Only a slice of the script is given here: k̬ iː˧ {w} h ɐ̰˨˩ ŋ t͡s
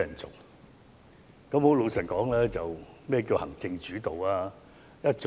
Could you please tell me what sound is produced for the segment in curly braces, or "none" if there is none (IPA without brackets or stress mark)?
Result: w